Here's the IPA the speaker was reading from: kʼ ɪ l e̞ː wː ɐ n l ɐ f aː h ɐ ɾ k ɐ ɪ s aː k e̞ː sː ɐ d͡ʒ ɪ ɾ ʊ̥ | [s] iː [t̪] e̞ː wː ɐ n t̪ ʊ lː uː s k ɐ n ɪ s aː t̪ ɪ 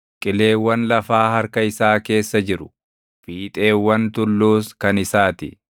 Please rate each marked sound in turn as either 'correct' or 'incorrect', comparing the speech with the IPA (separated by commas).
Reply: incorrect, incorrect